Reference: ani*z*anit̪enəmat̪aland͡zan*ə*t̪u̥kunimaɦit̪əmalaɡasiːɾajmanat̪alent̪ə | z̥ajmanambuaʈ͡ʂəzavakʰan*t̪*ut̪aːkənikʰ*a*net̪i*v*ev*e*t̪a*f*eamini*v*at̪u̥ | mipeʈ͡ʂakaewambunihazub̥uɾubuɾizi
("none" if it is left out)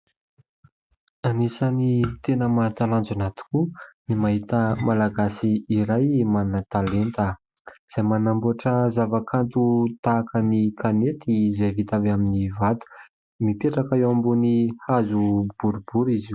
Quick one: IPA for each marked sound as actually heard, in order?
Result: s, a, t̪, a, z, i, v, v

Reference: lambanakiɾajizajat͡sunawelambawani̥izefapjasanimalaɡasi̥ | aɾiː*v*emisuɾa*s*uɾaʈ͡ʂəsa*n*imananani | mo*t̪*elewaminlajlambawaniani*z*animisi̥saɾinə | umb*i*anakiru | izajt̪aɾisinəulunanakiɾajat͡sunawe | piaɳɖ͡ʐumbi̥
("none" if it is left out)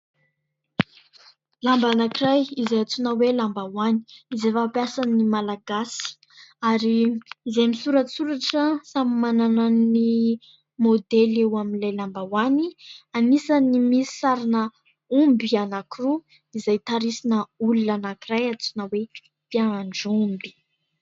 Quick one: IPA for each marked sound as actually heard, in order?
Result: z, s, m, d̪, s, i

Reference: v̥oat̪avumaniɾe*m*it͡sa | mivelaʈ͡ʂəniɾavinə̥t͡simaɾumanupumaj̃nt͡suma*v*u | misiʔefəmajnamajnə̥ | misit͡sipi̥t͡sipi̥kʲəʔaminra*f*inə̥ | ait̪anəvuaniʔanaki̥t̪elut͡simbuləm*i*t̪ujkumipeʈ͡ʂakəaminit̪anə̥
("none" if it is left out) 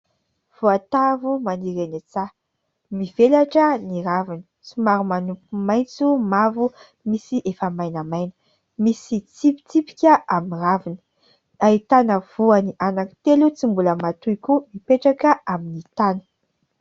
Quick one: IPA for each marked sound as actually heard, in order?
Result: n, v, v, a

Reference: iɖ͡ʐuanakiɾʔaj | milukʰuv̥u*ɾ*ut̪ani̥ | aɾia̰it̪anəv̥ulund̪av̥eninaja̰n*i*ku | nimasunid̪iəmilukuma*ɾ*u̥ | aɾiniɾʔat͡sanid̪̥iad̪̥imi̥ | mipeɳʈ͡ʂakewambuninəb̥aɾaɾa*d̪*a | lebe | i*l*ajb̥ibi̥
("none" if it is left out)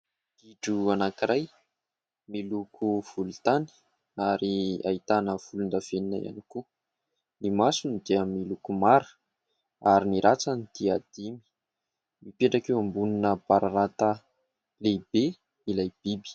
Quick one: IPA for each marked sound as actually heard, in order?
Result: l, i, ɾ, t̪, l

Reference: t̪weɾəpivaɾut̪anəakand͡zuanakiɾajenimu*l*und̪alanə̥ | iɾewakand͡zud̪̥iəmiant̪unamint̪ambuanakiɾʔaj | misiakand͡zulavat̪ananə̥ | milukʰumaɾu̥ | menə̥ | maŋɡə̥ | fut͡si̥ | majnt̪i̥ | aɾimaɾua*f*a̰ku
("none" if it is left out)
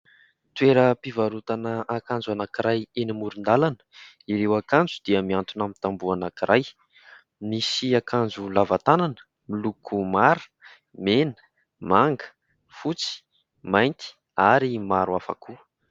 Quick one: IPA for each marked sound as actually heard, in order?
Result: ɾ, f

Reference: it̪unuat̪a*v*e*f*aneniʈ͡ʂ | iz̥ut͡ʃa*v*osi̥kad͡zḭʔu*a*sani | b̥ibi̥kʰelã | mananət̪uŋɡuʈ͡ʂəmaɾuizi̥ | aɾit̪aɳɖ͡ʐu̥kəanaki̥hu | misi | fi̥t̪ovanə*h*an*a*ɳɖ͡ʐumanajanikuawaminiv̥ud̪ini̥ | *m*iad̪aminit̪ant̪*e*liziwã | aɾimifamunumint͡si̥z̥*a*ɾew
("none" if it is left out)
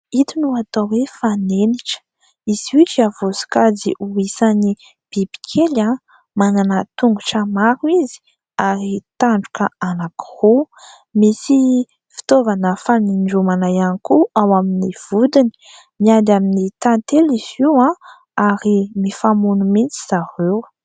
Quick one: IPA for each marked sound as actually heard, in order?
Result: w, f, v, i, f, i, m, e, a

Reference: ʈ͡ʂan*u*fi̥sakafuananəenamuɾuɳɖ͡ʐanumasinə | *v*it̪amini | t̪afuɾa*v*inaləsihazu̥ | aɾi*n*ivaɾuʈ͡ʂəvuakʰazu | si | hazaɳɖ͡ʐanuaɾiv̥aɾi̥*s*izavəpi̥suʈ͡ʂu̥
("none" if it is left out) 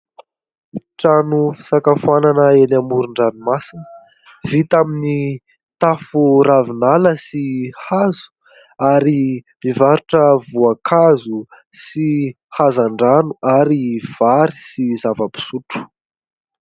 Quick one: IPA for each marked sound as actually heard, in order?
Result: u, v, v, m, s

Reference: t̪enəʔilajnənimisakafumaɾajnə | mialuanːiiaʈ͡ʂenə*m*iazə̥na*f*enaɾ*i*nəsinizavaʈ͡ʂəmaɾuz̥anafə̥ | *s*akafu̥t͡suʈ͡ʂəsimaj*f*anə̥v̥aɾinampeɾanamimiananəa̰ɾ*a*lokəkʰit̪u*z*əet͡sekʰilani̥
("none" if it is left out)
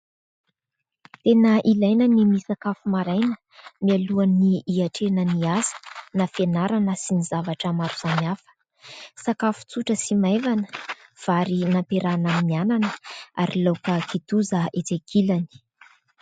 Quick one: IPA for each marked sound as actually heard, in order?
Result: n, f, a, s, v, i, z

